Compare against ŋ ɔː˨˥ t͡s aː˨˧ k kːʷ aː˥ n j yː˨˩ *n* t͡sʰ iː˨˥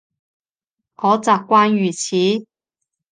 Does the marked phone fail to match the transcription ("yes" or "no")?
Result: yes